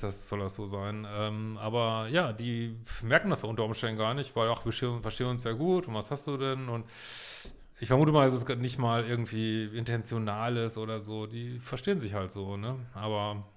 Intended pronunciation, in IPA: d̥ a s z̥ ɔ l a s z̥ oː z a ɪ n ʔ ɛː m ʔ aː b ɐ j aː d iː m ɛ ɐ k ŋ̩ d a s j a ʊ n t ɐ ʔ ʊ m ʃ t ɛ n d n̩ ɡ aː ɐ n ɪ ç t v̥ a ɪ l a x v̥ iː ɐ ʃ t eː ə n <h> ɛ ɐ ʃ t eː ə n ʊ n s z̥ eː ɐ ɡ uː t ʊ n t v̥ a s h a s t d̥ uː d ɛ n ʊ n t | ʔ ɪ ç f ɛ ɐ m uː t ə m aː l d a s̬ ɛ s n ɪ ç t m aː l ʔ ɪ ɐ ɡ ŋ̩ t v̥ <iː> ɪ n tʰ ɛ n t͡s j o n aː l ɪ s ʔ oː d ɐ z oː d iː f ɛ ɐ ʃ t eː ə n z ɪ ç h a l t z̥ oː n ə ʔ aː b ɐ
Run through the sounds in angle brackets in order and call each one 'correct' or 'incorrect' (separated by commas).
incorrect, correct